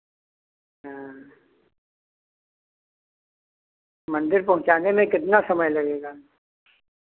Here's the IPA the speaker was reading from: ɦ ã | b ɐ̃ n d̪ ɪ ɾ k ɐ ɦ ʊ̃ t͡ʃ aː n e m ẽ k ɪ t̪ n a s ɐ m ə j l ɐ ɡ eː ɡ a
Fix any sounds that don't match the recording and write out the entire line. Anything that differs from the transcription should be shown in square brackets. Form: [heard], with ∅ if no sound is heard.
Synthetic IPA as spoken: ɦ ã | [m] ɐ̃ n d̪ ɪ ɾ [p] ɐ ɦ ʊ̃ t͡ʃ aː n e m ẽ k ɪ t̪ n a s ɐ m ə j l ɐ ɡ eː ɡ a